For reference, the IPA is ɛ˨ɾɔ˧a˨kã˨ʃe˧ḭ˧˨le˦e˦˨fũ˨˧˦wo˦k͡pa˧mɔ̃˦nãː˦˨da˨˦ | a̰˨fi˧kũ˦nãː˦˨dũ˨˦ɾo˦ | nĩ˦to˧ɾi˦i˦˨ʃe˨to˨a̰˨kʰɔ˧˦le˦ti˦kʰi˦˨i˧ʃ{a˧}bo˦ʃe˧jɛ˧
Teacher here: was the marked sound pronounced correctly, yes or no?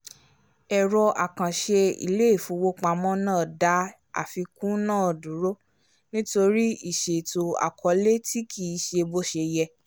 no